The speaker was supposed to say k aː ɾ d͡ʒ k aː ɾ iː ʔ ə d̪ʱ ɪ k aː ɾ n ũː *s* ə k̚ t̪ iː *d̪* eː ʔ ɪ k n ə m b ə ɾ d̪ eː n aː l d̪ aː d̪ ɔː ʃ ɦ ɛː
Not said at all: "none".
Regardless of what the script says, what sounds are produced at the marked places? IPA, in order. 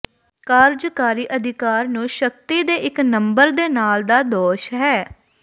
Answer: ʃ, d̪

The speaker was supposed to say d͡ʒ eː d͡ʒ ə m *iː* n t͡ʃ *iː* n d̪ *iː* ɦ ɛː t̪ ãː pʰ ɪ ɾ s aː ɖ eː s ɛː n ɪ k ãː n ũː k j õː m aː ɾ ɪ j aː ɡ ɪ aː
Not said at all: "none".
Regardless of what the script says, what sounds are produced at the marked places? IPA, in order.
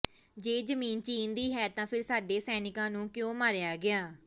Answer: iː, iː, iː

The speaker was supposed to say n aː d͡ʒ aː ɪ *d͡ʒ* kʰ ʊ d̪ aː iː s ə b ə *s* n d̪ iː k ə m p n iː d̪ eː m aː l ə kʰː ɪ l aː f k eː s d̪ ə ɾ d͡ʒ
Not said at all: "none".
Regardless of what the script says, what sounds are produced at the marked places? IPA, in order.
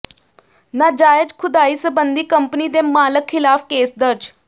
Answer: d͡ʒ, none

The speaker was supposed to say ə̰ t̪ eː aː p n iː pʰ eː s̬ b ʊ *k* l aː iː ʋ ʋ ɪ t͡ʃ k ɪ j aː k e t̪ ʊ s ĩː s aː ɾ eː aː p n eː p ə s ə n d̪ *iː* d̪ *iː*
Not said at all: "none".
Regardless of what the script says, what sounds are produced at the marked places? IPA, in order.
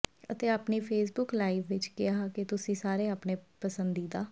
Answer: k, iː, aː

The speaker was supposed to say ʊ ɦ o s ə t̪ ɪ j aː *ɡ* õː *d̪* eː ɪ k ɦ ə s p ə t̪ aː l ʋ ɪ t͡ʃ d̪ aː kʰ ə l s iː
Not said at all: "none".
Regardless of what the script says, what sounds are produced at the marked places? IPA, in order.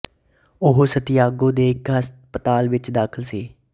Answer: ɡ, d̪

